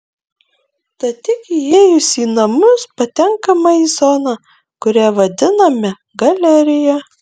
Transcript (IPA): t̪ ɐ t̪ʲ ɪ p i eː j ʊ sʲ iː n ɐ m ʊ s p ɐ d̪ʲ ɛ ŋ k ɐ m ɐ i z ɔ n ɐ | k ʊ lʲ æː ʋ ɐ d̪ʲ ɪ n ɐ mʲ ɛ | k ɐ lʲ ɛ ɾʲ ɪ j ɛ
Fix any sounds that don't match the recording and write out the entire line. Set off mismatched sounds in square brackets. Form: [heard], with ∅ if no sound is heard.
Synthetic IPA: t̪ ɐ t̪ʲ ɪ [k] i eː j ʊ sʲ iː n ɐ m ʊ s p ɐ [t̪ʲ] ɛ ŋ k ɐ m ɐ i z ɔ n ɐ | k ʊ [ɾʲ] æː ʋ ɐ d̪ʲ ɪ n ɐ mʲ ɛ | [ɡ] ɐ lʲ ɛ ɾʲ ɪ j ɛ

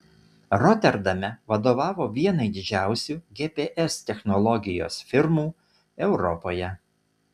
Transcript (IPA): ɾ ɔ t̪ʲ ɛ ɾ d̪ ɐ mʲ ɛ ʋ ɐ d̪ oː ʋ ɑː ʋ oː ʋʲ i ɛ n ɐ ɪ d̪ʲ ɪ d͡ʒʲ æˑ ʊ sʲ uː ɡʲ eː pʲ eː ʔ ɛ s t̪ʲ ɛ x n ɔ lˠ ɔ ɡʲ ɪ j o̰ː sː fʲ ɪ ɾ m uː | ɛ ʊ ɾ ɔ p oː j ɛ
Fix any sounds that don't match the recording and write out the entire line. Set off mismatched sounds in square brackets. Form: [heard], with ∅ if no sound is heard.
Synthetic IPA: ɾ ɔ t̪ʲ ɛ ɾ d̪ ɐ mʲ ɛ ʋ ɐ d̪ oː ʋ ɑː ʋ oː ʋʲ i ɛ n ɐ ɪ d̪ʲ ɪ d͡ʒʲ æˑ ʊ sʲ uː ɡʲ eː pʲ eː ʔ ɛ s t̪ʲ ɛ x n ɔ lˠ ɔ ɡʲ ɪ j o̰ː [s] fʲ ɪ ɾ m uː | ɛ ʊ ɾ ɔ p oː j ɛ

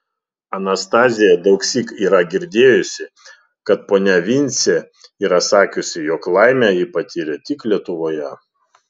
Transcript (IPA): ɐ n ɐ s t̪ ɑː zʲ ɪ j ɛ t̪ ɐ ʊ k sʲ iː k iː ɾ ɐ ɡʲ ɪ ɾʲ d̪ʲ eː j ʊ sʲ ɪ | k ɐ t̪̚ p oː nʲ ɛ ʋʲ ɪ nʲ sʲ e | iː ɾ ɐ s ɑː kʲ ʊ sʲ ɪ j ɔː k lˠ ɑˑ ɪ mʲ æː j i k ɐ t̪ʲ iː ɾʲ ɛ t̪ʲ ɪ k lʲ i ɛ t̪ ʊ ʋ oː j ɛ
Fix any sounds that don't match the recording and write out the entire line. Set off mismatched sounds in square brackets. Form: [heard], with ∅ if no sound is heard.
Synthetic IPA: ɐ n ɐ s t̪ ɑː zʲ ɪ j ɛ [d̪] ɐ ʊ k sʲ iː k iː ɾ ɐ ɡʲ ɪ ɾʲ d̪ʲ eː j ʊ sʲ ɪ | k ɐ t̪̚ p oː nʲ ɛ ʋʲ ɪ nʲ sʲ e | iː ɾ ɐ s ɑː kʲ ʊ sʲ ɪ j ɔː k lˠ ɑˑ ɪ mʲ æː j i [p] ɐ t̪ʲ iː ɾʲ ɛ t̪ʲ ɪ k lʲ i ɛ t̪ ʊ ʋ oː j ɛ

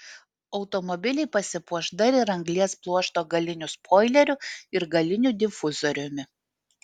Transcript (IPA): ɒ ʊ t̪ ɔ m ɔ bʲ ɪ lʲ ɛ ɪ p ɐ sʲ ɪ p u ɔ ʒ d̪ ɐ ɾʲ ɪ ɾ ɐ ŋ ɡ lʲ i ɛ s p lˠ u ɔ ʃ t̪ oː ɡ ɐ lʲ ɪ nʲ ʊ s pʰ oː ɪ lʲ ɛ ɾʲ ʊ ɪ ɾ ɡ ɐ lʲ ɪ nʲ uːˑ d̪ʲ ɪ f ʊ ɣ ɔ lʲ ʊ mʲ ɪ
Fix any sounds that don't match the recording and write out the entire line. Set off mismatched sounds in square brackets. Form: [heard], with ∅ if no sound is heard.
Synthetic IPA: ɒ ʊ t̪ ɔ m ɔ bʲ ɪ lʲ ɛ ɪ p ɐ sʲ ɪ p u ɔ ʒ d̪ ɐ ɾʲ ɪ ɾ ɐ ŋ ɡ lʲ i ɛ s p lˠ u ɔ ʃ t̪ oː ɡ ɐ lʲ ɪ nʲ ʊ s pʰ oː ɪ lʲ ɛ ɾʲ ʊ ɪ ɾ ɡ ɐ lʲ ɪ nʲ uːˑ d̪ʲ ɪ f ʊ [z] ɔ [ɾʲ] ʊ mʲ ɪ

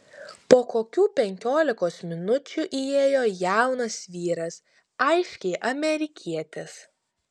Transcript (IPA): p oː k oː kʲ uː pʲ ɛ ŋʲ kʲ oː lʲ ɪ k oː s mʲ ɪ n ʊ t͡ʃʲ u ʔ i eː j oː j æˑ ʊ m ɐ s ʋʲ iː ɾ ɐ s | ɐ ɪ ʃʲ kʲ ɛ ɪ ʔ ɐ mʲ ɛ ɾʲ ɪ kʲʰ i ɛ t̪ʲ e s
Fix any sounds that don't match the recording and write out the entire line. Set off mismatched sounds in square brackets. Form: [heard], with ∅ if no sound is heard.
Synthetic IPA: p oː k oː kʲ uː pʲ ɛ ŋʲ kʲ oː lʲ ɪ k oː s mʲ ɪ n ʊ t͡ʃʲ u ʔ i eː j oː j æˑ ʊ [n] ɐ s ʋʲ iː ɾ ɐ s | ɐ ɪ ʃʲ kʲ ɛ ɪ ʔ ɐ mʲ ɛ ɾʲ ɪ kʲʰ i ɛ t̪ʲ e s

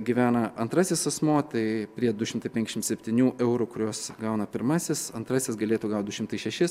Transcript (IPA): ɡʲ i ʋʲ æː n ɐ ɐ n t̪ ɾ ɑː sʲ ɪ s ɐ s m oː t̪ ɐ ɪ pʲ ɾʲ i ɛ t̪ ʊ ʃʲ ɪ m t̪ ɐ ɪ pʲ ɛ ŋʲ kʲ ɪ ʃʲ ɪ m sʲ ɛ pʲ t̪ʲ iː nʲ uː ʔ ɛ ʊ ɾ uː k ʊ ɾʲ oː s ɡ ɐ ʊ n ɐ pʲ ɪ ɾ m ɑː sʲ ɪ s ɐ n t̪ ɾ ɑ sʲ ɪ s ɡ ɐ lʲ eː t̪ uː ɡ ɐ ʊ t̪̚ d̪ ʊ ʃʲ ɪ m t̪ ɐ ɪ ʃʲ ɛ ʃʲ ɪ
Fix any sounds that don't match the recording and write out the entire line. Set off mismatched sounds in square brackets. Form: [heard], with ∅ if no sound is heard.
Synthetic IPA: ɡʲ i ʋʲ æː n ɐ ɐ n t̪ ɾ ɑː sʲ ɪ s ɐ s m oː t̪ ɐ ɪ pʲ ɾʲ i ɛ [d̪] ʊ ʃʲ ɪ m t̪ ɐ ɪ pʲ ɛ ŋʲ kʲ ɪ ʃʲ ɪ m sʲ ɛ pʲ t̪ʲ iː nʲ uː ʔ ɛ ʊ ɾ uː k ʊ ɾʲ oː s ɡ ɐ ʊ n ɐ pʲ ɪ ɾ m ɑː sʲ ɪ s ɐ n t̪ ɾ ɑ sʲ ɪ s ɡ ɐ lʲ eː t̪ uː ɡ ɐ ʊ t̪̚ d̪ ʊ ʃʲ ɪ m t̪ ɐ ɪ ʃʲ ɛ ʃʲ ɪ

